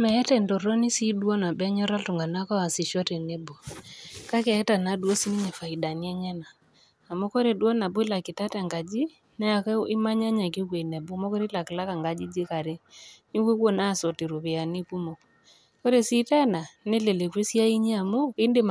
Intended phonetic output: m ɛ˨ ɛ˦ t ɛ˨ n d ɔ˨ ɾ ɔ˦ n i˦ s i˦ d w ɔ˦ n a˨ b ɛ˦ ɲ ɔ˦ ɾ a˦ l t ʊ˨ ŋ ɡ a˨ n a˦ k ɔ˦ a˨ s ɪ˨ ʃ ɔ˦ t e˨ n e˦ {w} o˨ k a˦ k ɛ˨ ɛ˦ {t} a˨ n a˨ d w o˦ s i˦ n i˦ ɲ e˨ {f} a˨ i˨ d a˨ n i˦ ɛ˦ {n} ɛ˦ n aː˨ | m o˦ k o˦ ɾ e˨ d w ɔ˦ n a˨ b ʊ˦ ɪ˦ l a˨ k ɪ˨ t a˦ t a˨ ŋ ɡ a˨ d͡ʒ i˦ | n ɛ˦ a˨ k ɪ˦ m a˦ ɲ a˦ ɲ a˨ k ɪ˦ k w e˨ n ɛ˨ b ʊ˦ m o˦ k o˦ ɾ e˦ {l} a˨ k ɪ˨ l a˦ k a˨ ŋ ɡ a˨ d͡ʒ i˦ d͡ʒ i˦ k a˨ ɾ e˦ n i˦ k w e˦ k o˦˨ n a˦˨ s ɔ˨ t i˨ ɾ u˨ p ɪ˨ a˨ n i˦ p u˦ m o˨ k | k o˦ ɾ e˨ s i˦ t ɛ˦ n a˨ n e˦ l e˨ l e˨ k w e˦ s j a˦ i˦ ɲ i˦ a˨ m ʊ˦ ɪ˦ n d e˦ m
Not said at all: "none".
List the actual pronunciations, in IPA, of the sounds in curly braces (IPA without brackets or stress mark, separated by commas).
b, t, f, ɲ, l